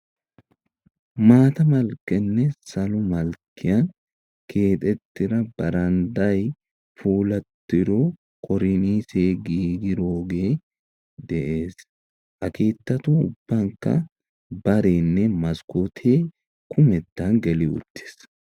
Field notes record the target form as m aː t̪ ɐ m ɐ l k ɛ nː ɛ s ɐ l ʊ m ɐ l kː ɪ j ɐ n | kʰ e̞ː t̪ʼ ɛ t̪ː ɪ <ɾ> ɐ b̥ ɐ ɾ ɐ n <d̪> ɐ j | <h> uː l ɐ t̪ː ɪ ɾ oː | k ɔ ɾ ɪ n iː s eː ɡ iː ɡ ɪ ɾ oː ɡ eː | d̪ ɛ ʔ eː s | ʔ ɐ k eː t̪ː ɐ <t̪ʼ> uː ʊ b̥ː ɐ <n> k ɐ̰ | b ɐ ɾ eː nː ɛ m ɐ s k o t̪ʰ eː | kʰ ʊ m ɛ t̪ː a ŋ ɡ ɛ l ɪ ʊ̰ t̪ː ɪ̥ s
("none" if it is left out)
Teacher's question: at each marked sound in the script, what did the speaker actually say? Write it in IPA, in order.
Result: ɾ, d̪, f, t̪, ŋ

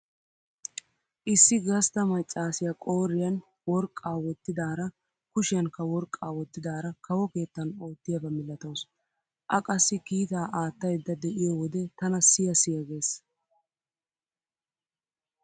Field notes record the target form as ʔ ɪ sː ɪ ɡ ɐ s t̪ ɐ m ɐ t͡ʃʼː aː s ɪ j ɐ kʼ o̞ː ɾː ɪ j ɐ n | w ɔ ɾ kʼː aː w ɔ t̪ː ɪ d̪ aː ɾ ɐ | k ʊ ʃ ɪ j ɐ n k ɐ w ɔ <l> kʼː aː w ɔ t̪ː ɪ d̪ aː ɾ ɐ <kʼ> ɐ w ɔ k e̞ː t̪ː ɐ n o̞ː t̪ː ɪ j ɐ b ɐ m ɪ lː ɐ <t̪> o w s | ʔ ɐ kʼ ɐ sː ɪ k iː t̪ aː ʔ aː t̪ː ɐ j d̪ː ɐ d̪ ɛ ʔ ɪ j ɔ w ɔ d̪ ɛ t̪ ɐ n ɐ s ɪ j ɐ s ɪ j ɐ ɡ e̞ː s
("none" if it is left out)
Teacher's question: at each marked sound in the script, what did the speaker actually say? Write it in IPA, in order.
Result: ɾ, k, t̪

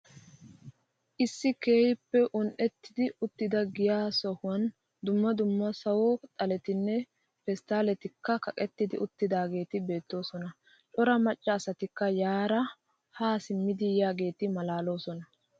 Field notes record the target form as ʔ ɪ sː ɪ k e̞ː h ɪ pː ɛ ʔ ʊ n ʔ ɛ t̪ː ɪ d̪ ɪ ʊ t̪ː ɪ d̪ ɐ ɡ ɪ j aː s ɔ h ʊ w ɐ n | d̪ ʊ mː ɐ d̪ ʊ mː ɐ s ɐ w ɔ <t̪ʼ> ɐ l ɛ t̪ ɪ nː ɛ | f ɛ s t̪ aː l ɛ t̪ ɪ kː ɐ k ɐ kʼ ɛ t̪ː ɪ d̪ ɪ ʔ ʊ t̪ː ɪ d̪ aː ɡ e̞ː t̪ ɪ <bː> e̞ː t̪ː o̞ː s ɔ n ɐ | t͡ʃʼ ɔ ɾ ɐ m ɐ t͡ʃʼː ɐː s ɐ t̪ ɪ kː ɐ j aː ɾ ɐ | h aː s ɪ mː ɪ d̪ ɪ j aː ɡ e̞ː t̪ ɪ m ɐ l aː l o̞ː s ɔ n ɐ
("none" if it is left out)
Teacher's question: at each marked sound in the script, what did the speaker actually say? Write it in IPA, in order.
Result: t̪ʼ, b

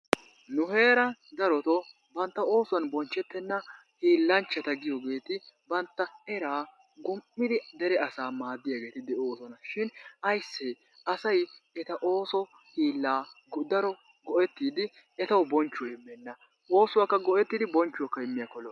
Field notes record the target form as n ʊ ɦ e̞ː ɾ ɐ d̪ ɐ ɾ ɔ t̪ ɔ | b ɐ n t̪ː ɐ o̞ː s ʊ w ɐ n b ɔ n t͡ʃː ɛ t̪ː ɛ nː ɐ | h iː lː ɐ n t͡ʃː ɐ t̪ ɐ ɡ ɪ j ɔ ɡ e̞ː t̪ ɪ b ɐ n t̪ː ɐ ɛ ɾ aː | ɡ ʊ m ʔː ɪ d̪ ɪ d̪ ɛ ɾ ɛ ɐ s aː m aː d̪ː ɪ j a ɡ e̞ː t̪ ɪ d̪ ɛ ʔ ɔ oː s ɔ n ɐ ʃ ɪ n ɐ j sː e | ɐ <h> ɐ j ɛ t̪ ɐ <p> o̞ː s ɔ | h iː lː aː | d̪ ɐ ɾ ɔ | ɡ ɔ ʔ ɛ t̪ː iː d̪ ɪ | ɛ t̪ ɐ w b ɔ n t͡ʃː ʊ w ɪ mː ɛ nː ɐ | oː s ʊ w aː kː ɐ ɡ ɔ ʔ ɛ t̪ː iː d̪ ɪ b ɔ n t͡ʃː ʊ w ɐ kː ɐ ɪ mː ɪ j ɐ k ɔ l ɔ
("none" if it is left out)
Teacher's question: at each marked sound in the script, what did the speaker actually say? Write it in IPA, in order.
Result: s, ʔ

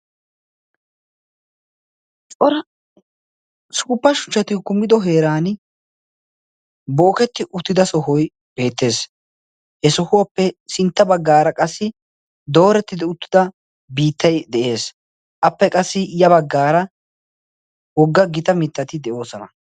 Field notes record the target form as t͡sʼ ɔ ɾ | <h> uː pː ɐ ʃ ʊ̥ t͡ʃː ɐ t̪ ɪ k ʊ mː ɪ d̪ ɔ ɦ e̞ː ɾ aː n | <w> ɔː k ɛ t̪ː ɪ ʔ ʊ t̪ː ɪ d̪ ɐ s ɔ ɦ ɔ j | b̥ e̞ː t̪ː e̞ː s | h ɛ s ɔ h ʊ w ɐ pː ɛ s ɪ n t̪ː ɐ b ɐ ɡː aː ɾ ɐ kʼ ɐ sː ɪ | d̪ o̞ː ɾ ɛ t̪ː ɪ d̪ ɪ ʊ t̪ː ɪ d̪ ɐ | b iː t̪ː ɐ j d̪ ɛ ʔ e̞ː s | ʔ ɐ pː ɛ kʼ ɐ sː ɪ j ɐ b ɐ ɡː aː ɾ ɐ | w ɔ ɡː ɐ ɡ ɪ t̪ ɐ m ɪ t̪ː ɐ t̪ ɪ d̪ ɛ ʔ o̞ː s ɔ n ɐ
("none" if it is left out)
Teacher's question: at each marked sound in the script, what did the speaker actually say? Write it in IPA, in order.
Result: s, b

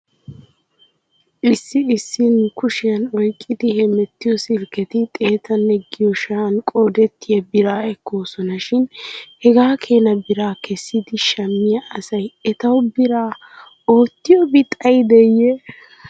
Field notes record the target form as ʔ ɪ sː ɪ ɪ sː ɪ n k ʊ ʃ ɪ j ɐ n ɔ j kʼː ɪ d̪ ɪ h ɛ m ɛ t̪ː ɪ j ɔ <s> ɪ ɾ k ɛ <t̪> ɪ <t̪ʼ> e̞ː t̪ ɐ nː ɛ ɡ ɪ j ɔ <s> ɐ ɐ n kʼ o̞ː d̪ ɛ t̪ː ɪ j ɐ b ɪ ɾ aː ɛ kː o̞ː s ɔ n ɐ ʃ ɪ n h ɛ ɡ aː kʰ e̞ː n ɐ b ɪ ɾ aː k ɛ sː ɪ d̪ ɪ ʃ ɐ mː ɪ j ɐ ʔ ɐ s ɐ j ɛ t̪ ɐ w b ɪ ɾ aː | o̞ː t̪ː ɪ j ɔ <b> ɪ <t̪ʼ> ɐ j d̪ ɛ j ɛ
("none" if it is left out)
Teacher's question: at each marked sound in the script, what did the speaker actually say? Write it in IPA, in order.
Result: s, t̪, t̪ʼ, ʃ, b, t̪ʼ

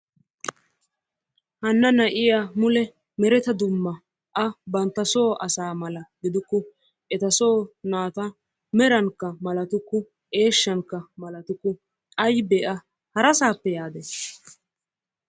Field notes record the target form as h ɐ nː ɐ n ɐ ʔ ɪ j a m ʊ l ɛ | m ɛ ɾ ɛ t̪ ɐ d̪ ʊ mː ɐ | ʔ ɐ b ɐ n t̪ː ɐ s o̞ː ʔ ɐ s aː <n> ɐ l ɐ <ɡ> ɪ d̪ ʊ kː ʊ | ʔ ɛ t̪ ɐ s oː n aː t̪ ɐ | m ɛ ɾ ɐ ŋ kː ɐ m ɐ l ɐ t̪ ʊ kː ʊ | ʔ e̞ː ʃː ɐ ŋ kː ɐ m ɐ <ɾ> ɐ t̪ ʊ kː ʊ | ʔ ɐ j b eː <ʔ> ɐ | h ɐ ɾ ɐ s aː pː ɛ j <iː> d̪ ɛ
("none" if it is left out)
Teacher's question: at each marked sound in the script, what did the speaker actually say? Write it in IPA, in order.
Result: m, ɡ, l, ʔ, aː

